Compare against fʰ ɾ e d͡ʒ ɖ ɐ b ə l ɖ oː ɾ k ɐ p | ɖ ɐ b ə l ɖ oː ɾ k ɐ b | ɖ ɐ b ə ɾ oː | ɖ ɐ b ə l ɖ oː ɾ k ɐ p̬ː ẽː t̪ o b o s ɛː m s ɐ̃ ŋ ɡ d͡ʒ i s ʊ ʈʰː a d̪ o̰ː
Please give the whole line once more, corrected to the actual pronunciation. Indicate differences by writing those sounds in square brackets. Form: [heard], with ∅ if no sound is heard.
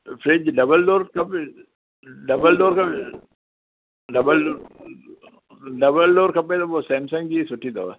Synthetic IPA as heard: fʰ ɾ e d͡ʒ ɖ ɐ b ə l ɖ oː ɾ k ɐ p | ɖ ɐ b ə l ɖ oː ɾ k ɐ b | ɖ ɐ b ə [l] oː | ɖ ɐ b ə l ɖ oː ɾ k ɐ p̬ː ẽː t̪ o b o s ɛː m s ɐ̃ ŋ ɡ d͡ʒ i s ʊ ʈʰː [i] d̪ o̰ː